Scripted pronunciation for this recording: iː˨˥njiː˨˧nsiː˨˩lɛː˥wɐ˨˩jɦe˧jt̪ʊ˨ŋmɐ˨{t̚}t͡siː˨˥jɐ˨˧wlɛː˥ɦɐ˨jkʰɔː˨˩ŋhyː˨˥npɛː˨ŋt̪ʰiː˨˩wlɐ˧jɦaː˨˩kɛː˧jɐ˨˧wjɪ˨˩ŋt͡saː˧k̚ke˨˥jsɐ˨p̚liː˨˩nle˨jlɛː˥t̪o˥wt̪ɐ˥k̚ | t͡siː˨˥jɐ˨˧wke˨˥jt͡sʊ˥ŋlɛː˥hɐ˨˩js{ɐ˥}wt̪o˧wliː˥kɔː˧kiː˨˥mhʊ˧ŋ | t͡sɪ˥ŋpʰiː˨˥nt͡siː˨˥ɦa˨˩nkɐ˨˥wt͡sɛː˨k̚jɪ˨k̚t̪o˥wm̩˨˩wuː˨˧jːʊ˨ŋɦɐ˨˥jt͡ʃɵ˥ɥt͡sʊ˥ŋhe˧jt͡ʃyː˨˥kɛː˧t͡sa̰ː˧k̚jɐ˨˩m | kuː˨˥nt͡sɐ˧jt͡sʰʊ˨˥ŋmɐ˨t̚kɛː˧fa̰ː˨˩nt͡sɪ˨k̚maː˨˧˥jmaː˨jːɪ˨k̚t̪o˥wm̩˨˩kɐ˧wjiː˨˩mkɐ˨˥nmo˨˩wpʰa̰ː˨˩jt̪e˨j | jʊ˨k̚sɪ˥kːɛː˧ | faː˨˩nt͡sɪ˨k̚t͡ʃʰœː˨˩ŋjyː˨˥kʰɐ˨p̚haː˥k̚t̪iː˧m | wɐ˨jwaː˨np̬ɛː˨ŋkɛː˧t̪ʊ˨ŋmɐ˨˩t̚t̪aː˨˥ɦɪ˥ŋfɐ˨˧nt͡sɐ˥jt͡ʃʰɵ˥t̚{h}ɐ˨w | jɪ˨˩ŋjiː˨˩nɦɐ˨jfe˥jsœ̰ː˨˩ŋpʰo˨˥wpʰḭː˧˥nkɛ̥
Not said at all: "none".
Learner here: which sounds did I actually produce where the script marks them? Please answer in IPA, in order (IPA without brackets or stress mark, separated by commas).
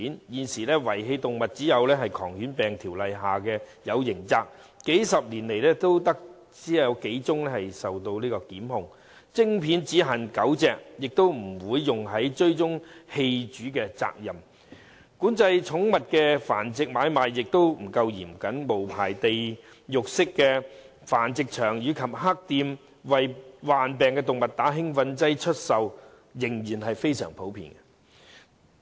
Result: t̚, ɐ˨, s